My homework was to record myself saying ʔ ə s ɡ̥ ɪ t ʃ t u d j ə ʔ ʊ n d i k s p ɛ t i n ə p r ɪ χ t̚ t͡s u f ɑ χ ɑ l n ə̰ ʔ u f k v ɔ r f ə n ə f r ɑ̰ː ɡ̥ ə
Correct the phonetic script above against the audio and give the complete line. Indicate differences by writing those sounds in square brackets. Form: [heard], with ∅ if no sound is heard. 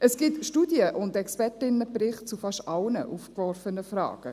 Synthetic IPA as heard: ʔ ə s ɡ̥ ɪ t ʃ t u d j ə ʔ ʊ n d [ɛ] k s p ɛ t [ɪ] n ə p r ɪ χ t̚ t͡s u f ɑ [ʃ] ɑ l n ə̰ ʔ u f k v ɔ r f ə n ə f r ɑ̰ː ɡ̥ ə

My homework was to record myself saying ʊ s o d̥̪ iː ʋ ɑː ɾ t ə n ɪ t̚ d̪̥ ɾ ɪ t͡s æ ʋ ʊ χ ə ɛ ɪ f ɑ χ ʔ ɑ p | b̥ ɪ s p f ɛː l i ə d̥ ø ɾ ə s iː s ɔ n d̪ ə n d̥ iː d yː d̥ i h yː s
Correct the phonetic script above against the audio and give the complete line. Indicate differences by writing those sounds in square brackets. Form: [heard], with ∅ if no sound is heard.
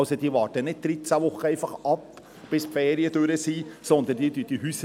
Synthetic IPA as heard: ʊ s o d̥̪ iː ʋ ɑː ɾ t ə n ɪ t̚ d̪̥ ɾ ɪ t͡s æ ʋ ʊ χ ə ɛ ɪ f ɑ χ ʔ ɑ p | b̥ ɪ s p f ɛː [ɾ] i ə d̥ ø ɾ ə s iː s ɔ n d̪ ə n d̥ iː d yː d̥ i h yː s

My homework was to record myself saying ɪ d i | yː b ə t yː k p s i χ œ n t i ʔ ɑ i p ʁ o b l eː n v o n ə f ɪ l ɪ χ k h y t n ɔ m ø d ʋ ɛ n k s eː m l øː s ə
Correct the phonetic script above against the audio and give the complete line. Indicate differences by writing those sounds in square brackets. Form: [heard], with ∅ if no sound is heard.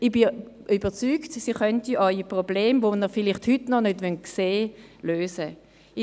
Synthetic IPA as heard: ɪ [b] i | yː b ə [t͡s] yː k [t] s i χ œ n t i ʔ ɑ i p ʁ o b l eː [m] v o n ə f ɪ l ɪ χ [t] h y t n ɔ [n] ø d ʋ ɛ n k s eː [∅] l øː s ə

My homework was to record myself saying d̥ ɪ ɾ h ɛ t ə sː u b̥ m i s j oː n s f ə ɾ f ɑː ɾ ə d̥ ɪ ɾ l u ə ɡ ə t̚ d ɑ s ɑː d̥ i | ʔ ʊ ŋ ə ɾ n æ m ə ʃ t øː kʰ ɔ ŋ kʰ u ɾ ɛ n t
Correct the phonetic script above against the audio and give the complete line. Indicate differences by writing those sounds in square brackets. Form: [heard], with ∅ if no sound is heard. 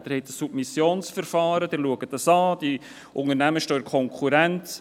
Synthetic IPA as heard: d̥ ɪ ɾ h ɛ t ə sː u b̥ m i s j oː n s f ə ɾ f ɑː ɾ ə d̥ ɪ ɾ l u ə ɡ ə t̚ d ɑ s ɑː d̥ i | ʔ ʊ ŋ ə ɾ n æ m ə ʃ t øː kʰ ɔ ŋ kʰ u ɾ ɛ n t

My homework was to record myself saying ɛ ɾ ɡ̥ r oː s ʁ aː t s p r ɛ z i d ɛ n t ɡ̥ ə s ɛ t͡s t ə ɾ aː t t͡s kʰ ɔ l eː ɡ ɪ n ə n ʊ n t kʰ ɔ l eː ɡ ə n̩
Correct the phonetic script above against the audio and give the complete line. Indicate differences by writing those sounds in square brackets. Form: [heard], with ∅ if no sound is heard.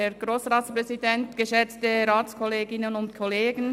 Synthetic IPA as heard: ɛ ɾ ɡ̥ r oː s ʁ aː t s p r ɛ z i d ɛ n t ɡ̥ ə [ʃ] ɛ t͡s t ə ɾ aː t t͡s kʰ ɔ l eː ɡ ɪ n ə n ʊ n t kʰ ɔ l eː ɡ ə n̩

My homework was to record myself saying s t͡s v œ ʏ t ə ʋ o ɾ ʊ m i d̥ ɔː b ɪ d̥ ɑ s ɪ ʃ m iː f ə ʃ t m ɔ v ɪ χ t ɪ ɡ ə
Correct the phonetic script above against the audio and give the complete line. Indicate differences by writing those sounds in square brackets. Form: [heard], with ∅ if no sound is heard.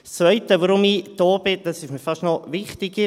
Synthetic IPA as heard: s t͡s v œ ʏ t ə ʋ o ɾ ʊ m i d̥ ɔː b ɪ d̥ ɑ s ɪ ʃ m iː f [ɑ] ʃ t [n] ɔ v ɪ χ t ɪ ɡ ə

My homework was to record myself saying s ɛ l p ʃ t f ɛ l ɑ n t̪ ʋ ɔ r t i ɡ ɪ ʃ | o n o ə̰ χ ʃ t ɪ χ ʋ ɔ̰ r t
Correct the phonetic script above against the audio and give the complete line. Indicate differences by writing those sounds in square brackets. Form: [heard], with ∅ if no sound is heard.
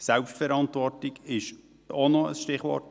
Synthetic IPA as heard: s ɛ l p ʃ t f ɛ [ɾ] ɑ n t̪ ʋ ɔ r t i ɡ ɪ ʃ | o n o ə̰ [s] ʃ t ɪ χ ʋ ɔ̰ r t

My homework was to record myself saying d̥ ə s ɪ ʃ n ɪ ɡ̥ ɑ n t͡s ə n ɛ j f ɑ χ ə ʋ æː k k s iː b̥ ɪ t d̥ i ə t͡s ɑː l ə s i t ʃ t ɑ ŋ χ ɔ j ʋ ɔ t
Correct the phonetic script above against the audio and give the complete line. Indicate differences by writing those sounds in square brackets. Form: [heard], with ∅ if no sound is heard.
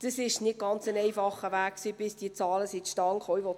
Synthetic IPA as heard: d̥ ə s ɪ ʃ n ɪ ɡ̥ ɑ n t͡s ə n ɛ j f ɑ χ ə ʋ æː k k s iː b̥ ɪ [s] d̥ i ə t͡s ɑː l ə s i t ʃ t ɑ ŋ χ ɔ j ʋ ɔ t

